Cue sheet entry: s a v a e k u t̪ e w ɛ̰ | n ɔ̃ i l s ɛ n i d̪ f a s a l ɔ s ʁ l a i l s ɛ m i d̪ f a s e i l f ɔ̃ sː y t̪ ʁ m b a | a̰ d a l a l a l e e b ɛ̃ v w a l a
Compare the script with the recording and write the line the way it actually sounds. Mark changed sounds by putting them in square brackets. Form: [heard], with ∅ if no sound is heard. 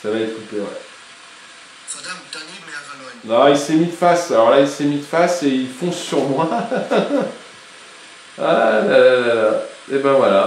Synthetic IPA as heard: s a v a e k u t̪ e w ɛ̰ | n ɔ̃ i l s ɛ [m] i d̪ f a s a l ɔ [∅] ʁ l a i l s ɛ m i d̪ f a s e i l f ɔ̃ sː y [∅] ʁ m [w] a | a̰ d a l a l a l [a] e b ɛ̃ v w a l a